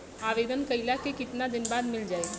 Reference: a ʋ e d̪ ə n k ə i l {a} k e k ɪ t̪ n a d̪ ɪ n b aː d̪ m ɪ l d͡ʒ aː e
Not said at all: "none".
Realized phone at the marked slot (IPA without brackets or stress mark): a